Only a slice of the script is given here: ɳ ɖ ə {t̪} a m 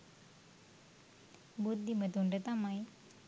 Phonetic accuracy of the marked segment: correct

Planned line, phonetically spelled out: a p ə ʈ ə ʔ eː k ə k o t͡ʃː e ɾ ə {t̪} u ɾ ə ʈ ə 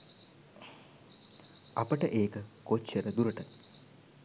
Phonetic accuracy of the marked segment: incorrect: d̪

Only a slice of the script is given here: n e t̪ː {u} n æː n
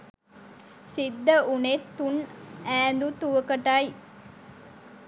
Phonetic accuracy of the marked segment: correct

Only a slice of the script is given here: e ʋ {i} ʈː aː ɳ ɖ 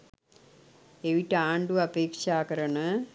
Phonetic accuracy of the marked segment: correct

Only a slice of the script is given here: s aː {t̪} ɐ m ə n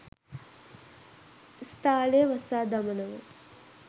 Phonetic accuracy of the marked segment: incorrect: d̪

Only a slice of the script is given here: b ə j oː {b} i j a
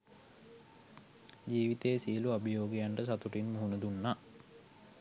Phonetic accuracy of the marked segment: incorrect: ɡ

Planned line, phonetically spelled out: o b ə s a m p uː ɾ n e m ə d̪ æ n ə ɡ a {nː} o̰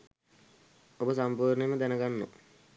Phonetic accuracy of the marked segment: correct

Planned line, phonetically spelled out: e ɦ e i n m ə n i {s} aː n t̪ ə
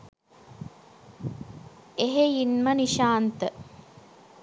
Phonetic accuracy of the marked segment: incorrect: ʃ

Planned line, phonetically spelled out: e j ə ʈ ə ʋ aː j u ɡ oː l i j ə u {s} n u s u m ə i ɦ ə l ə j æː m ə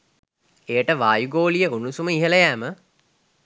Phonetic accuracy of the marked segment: incorrect: none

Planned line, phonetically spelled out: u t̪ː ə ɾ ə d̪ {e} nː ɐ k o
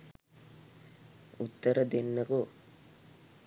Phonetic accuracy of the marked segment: correct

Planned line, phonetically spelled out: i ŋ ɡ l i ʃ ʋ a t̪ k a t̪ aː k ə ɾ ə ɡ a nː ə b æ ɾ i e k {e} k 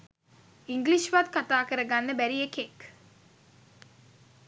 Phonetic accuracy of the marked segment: correct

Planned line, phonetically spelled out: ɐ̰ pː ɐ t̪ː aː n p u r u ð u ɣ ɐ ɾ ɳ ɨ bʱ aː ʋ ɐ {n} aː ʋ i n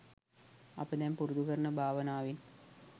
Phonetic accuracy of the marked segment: correct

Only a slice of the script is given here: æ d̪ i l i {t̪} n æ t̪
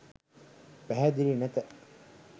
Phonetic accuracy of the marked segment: incorrect: none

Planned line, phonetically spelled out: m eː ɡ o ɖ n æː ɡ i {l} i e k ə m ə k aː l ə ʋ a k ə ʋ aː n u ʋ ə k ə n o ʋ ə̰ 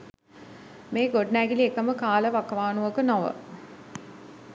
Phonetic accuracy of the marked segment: correct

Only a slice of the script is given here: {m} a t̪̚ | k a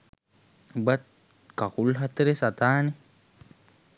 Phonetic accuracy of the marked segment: incorrect: b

